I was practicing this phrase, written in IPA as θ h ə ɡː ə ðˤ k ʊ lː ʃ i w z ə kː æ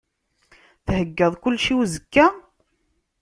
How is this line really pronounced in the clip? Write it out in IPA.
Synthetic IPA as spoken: θ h ə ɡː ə ðˤ k ʊ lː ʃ i w z ə kː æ